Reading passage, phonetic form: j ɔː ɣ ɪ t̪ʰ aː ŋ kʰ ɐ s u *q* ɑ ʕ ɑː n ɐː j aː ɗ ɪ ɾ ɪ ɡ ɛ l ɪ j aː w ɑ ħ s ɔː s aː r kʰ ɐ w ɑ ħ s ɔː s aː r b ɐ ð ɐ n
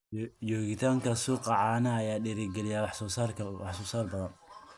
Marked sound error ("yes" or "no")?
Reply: no